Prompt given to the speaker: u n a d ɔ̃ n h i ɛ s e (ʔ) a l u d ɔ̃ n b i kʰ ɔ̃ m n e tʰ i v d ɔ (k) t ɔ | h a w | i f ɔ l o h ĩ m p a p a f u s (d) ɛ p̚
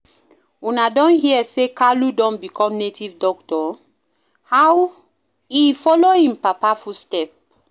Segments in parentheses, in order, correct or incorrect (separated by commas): incorrect, correct, incorrect